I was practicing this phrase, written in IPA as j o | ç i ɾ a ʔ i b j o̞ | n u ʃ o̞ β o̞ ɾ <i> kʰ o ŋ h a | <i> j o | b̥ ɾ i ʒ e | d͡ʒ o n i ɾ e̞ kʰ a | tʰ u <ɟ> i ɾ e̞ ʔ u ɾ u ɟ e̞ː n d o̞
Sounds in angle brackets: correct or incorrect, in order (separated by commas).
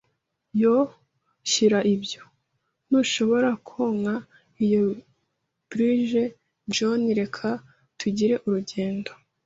incorrect, correct, correct